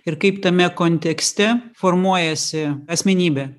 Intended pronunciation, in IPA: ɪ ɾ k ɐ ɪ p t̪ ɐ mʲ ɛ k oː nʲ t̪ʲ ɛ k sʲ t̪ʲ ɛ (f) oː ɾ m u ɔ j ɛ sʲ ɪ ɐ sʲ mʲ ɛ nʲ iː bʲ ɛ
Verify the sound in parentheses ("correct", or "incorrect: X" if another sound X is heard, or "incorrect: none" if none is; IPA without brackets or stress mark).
correct